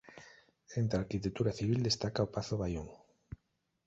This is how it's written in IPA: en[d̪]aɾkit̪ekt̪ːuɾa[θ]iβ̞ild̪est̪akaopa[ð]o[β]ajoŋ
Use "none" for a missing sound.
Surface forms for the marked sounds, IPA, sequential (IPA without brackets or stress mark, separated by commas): t̪, θ, θ, β